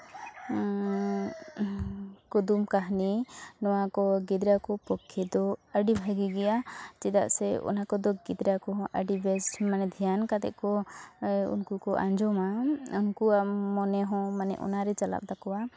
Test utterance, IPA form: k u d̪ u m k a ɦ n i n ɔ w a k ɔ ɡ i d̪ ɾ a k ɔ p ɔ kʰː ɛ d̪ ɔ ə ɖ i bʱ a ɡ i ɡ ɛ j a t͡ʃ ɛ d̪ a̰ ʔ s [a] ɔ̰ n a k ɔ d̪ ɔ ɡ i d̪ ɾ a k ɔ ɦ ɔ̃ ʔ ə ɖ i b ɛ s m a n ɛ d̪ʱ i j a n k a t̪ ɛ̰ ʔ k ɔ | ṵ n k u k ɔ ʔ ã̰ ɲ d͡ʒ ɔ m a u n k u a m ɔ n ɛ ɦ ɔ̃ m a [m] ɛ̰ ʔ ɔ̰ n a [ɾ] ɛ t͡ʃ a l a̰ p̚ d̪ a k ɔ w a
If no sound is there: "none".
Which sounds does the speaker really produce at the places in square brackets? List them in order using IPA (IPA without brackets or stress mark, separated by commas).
ɛ, n, ɾ